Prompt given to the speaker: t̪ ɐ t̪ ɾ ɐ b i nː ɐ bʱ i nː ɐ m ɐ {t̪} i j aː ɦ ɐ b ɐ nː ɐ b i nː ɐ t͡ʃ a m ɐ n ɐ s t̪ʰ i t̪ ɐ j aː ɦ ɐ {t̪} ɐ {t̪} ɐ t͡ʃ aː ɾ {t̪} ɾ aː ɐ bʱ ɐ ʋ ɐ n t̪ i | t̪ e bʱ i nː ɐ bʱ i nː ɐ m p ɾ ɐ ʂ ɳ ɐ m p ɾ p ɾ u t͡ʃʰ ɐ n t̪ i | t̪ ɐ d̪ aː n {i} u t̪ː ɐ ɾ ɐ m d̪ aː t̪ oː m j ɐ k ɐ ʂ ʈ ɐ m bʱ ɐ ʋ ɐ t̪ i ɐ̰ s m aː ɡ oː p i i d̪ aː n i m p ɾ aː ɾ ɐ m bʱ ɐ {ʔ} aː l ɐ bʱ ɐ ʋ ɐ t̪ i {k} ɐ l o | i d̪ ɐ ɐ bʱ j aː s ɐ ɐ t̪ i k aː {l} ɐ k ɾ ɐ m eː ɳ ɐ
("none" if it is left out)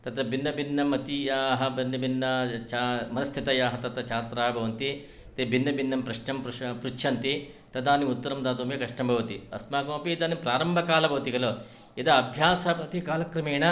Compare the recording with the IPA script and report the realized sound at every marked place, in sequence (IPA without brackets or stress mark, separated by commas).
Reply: t̪, t̪, t̪, t̪, i, k, ɡ, l